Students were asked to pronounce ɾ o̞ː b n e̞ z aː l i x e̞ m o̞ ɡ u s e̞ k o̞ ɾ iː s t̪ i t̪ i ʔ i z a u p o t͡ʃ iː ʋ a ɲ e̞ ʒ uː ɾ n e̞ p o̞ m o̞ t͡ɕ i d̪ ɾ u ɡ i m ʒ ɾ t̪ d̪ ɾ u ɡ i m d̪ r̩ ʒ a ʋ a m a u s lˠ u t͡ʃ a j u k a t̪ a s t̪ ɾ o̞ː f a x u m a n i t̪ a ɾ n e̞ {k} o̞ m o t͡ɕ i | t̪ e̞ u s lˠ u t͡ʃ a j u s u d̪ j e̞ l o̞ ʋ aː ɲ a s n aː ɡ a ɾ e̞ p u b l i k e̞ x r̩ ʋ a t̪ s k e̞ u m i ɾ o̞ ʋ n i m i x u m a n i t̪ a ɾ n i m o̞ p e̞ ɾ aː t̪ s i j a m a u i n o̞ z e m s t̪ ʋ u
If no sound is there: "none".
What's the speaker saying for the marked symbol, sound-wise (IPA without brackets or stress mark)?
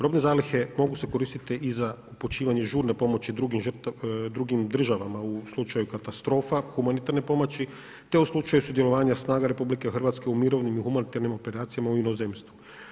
p